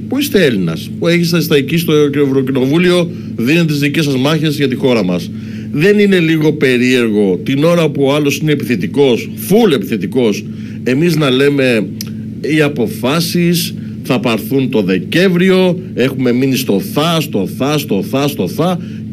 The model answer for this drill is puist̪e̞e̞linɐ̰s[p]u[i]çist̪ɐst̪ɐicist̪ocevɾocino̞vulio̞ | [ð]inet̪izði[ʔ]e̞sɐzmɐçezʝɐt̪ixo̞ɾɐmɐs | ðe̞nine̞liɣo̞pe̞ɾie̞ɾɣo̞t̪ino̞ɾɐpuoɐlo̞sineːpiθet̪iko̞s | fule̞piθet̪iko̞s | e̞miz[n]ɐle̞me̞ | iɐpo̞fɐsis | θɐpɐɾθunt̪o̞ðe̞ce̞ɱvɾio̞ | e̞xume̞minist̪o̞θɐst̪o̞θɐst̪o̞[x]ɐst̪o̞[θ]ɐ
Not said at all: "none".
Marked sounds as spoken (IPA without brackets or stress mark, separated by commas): p, e, ð, c, n, θ, θ